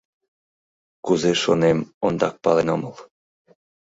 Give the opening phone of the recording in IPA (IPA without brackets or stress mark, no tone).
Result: k